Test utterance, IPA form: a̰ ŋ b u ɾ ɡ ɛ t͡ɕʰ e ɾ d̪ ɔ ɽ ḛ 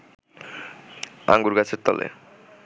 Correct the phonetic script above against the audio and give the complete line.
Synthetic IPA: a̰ ŋ ɡ u ɾ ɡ a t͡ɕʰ e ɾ t̪ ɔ l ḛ